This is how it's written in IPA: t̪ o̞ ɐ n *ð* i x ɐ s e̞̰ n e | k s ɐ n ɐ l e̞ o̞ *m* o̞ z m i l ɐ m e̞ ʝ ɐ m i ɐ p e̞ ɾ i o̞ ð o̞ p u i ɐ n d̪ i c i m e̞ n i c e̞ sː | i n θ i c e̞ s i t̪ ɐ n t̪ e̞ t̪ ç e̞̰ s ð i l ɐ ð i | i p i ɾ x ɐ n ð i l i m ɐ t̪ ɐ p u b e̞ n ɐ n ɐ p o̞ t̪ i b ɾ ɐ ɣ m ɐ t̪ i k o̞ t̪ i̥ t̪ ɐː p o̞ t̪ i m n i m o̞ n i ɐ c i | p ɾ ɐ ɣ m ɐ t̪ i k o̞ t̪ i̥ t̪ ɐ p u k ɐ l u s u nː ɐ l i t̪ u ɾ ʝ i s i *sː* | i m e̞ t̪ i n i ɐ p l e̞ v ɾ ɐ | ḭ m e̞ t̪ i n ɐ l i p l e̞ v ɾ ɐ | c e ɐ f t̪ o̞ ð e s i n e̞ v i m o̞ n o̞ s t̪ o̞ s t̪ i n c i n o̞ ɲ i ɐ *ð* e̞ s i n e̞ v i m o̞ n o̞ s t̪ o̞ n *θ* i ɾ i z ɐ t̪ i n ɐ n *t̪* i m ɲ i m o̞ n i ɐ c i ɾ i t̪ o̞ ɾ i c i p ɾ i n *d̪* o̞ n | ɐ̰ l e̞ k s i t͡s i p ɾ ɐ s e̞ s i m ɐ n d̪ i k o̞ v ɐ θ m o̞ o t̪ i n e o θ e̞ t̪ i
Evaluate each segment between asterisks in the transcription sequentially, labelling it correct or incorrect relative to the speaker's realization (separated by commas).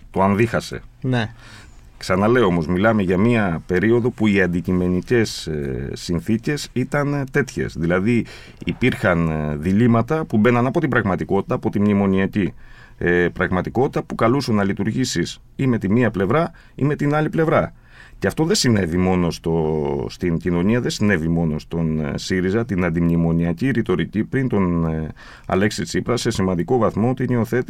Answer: correct, correct, incorrect, correct, incorrect, incorrect, incorrect